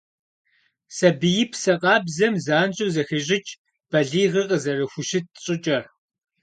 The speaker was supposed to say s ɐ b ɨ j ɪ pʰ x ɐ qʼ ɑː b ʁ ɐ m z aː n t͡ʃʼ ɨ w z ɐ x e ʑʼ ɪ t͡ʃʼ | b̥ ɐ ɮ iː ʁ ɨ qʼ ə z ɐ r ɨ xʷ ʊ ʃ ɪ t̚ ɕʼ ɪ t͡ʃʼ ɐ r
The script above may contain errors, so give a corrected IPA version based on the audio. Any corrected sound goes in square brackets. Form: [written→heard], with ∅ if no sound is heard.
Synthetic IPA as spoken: s ɐ b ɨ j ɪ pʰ [x→s] ɐ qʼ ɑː b [ʁ→z] ɐ m z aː n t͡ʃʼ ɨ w z ɐ x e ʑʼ ɪ t͡ʃʼ | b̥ ɐ ɮ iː ʁ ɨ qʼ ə z ɐ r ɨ xʷ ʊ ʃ ɪ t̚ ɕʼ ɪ t͡ʃʼ ɐ r